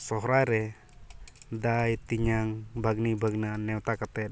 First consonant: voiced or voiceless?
voiceless